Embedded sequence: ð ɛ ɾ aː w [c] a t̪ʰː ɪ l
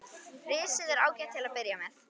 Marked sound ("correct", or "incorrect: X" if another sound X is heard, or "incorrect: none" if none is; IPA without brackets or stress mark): correct